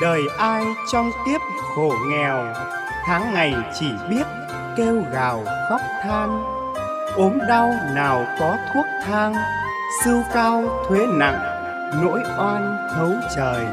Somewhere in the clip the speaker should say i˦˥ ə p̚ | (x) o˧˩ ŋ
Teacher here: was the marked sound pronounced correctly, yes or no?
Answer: yes